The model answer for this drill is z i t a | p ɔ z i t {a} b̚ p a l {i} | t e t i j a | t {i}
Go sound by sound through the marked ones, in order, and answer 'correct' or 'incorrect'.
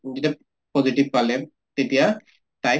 incorrect: i, incorrect: ɛ, incorrect: a

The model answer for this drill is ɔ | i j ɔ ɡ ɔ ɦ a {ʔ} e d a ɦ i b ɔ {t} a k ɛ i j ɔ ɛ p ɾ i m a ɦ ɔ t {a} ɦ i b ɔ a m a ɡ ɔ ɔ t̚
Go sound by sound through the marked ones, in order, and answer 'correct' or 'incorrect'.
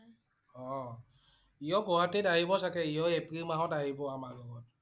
incorrect: t, incorrect: s, correct

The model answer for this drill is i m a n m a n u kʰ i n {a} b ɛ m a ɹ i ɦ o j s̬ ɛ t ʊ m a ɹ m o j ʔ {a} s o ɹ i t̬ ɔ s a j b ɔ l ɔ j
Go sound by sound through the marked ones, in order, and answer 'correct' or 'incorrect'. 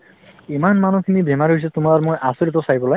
incorrect: i, correct

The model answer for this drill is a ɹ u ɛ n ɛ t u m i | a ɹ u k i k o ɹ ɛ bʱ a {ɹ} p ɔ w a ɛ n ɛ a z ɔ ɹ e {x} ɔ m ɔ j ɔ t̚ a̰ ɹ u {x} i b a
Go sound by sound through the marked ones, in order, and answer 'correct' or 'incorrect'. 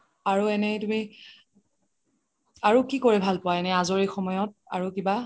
incorrect: l, correct, incorrect: k

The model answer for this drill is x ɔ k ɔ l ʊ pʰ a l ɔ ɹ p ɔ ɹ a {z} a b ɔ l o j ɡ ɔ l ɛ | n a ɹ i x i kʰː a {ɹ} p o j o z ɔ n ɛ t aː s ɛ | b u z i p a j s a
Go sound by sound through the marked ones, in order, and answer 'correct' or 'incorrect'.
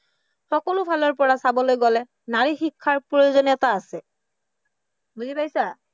incorrect: s, correct

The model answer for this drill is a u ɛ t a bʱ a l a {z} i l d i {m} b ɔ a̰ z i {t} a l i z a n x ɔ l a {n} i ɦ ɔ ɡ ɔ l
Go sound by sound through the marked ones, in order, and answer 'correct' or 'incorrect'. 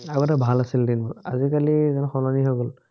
incorrect: s, incorrect: n, incorrect: k, correct

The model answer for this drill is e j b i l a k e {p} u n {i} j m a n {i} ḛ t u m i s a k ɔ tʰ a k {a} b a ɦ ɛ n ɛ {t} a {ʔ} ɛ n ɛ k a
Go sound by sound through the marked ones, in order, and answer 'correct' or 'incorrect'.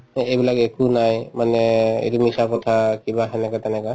incorrect: k, incorrect: a, incorrect: ɛ, incorrect: i, incorrect: k, incorrect: t

